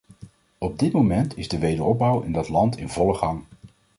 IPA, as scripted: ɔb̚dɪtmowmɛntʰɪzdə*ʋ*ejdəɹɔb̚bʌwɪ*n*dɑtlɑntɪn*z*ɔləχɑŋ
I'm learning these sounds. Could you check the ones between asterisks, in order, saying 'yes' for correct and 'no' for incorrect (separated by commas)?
yes, yes, no